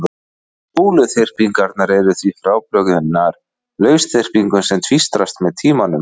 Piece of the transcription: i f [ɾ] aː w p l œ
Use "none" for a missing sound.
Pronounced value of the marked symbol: ɾ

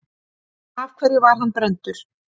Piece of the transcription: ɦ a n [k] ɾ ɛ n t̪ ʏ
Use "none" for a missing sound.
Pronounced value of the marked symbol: p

